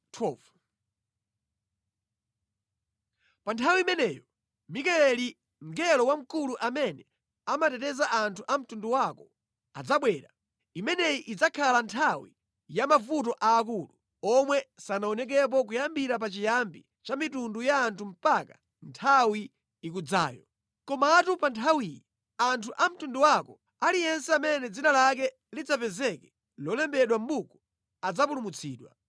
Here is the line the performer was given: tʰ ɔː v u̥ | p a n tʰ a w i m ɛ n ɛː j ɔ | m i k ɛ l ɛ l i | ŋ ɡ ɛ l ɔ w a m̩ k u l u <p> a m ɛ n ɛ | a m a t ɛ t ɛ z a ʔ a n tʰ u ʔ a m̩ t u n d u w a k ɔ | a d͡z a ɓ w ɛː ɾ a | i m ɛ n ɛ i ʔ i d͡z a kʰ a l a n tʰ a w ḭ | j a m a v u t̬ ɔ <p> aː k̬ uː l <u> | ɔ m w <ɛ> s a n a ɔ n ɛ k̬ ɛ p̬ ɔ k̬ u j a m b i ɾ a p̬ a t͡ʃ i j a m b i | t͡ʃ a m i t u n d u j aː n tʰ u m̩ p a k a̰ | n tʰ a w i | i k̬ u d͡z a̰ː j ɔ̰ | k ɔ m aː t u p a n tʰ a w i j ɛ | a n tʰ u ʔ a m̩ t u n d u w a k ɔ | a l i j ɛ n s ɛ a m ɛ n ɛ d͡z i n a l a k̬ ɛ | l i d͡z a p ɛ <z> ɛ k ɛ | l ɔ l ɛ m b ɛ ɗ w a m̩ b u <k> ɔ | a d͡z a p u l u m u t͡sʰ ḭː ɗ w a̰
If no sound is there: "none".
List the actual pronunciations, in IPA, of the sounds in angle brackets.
ʔ, ʔ, u, ɛ, z, k

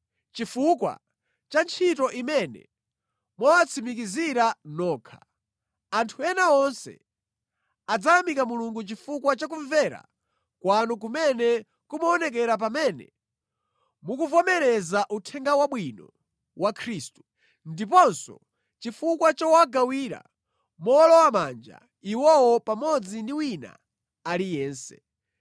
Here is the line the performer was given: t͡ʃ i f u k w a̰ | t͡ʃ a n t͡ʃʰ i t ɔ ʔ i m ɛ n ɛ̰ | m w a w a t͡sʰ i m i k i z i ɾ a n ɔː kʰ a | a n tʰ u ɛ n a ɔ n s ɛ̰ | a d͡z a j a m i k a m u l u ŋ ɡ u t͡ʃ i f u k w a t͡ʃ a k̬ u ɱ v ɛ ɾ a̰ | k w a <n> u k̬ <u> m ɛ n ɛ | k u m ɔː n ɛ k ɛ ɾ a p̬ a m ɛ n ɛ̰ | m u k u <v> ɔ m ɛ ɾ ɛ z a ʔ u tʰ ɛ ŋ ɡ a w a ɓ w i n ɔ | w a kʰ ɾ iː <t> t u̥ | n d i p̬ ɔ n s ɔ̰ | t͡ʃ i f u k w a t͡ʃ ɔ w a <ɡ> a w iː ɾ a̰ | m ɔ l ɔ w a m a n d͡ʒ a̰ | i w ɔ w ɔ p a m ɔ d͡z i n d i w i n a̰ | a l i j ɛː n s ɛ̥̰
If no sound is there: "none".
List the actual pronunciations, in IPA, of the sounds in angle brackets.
n, u, v, s, ɡ

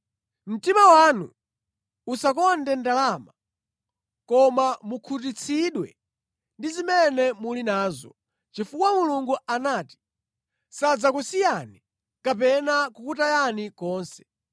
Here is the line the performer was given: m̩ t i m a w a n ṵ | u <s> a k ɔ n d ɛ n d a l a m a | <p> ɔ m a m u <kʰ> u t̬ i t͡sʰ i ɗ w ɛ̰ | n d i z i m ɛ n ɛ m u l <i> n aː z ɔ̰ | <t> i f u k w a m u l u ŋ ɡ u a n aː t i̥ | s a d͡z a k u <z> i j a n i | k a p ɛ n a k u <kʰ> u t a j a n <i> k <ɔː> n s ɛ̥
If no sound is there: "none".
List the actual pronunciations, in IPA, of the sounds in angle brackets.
s, k, kʰ, i, t͡ʃ, s, k, i, ɔː

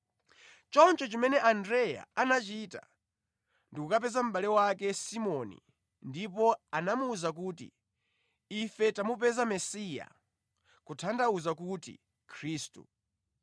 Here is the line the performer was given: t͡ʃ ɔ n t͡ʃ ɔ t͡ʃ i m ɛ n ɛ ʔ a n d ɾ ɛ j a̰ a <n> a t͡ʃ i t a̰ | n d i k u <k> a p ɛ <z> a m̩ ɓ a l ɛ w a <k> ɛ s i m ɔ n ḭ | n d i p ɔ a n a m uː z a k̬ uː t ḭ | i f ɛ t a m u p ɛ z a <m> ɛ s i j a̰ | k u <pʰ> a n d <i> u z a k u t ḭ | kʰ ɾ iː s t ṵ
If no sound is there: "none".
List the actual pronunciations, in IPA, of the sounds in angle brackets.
n, k, z, k, m, tʰ, a

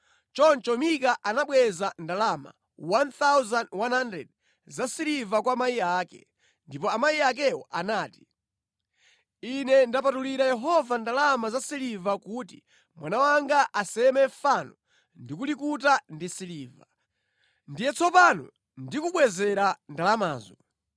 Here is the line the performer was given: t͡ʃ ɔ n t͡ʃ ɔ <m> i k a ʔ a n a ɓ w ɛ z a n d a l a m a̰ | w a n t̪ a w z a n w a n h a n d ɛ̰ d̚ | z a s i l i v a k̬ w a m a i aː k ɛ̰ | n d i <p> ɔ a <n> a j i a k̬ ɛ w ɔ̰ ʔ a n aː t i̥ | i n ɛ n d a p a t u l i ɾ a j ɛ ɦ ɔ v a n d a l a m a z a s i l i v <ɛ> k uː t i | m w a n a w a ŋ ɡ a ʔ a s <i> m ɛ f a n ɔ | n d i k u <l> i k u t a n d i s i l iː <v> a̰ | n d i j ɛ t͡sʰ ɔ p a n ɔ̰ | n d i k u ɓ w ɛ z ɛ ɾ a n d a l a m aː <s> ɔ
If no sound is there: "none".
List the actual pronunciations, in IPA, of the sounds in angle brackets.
m, p, m, a, ɛ, l, v, z

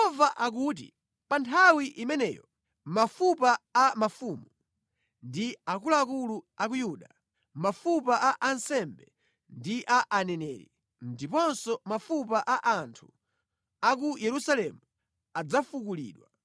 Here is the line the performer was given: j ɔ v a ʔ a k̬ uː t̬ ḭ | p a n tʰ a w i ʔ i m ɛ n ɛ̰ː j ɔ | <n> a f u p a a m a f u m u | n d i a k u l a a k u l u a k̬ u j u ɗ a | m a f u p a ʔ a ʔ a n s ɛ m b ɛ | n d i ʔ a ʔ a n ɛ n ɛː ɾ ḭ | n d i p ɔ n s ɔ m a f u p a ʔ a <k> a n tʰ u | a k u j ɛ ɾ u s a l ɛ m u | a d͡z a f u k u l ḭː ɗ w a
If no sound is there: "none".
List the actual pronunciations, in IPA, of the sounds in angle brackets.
m, ʔ

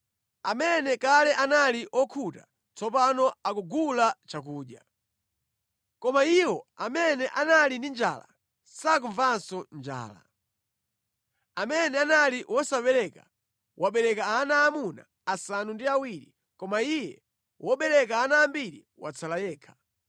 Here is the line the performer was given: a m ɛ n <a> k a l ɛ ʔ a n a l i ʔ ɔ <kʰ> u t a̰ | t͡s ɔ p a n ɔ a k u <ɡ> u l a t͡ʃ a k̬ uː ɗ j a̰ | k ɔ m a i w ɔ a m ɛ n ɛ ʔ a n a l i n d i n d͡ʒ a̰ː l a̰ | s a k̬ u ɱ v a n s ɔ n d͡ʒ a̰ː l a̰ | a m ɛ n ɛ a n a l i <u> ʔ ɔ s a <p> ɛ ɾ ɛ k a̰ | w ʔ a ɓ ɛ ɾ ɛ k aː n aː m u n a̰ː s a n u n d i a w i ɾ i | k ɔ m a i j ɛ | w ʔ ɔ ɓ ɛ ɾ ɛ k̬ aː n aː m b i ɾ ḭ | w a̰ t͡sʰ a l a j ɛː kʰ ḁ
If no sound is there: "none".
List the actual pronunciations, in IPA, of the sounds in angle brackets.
ɛ, kʰ, ɡ, w, p

